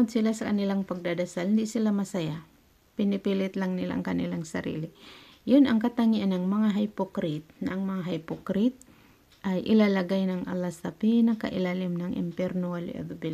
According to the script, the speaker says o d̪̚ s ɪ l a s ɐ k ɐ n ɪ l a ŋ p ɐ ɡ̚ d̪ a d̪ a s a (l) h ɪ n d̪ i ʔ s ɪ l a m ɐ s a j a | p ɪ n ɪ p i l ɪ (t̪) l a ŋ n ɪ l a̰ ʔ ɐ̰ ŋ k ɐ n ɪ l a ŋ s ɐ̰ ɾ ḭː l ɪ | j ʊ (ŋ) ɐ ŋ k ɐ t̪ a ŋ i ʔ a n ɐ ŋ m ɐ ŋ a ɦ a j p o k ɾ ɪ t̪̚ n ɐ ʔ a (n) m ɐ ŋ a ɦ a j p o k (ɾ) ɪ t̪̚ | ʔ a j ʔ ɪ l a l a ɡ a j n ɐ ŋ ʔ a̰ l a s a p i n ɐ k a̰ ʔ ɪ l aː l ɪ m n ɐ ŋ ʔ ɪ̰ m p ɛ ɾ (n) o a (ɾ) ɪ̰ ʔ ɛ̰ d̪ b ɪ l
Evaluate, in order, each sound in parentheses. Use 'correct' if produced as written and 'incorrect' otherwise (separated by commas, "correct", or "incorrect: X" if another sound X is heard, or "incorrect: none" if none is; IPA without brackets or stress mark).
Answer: correct, correct, incorrect: n, incorrect: ŋ, correct, correct, incorrect: l